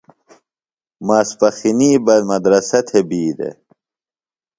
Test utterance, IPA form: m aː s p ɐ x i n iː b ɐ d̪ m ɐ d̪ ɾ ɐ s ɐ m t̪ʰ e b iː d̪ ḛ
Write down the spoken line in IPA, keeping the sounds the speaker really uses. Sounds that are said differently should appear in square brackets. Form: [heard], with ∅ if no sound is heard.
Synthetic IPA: m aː s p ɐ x i n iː b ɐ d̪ m ɐ d̪ ɾ ɐ s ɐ [∅] t̪ʰ e b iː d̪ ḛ